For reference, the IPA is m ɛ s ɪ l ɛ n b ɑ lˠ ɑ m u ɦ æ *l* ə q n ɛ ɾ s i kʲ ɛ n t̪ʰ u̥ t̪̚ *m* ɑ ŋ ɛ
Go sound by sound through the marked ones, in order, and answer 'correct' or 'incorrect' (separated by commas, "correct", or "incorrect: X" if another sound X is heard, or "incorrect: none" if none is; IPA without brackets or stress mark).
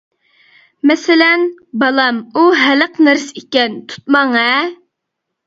correct, correct